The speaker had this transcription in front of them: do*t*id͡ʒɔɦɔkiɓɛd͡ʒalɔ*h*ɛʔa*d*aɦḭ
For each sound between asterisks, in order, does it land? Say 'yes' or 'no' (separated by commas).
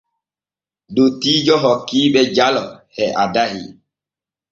yes, yes, yes